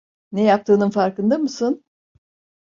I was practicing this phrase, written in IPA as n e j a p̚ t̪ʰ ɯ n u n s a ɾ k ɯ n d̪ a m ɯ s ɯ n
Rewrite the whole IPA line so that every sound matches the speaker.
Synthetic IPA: n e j a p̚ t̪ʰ ɯː n ɯ n f a ɾ k ɯ n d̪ a m ɯ s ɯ n